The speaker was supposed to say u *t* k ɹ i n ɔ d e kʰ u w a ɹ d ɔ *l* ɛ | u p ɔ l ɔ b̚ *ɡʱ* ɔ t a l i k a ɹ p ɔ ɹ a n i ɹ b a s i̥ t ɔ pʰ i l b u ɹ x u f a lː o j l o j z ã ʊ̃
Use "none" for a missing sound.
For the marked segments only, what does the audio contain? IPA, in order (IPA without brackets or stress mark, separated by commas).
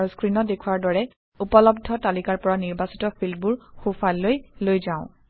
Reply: s, ɹ, dʱ